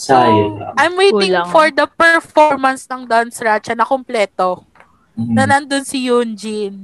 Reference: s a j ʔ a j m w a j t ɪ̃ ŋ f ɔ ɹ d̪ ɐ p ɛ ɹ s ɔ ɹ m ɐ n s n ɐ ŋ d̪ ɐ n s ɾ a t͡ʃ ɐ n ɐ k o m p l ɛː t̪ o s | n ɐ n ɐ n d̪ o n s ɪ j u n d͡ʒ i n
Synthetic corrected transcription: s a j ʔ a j m w e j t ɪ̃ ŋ f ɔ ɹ d̪ ɐ p ɛ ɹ f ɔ ɹ m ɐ n s n ɐ ŋ d̪ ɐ n s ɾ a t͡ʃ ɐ n ɐ k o m p l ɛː t̪ o | n ɐ n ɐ n d̪ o n s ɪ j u n d͡ʒ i n